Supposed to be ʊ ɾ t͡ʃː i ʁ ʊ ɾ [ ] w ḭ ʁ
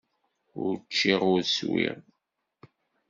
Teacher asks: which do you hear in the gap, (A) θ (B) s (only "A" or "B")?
B